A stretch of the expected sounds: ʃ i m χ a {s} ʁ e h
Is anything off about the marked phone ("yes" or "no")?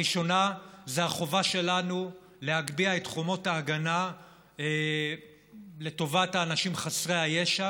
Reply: no